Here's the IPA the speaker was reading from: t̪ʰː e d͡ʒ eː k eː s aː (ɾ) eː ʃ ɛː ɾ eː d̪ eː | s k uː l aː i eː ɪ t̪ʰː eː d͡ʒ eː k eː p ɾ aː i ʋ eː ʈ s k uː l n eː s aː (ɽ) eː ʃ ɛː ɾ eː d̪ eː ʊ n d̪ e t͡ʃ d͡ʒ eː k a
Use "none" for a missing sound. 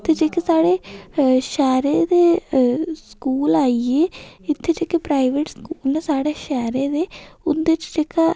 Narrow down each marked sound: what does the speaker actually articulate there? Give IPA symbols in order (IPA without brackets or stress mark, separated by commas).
ɽ, ɽ